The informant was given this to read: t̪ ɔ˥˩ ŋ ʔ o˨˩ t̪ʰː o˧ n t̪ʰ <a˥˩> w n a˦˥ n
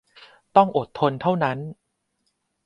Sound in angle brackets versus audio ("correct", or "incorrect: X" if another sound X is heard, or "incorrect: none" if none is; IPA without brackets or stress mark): correct